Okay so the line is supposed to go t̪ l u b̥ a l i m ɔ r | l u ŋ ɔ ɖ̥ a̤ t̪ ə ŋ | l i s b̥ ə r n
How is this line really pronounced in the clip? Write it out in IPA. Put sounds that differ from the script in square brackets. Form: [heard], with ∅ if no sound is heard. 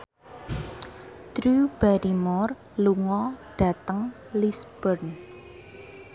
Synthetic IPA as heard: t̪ [ɾ] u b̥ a [ɾ] i m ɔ r | l u ŋ ɔ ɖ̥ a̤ t̪ ə ŋ | l i s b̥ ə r n